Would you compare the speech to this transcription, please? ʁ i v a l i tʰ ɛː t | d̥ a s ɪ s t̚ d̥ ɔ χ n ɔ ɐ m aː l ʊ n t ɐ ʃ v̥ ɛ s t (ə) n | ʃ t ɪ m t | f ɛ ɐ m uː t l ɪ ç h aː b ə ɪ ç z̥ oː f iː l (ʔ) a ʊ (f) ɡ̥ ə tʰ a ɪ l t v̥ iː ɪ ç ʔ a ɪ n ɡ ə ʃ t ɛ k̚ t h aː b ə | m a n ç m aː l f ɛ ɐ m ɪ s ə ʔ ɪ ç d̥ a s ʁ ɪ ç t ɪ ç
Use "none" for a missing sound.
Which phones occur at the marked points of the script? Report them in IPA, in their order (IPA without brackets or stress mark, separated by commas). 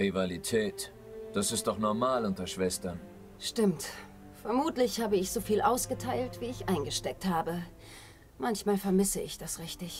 ɐ, ʔ, s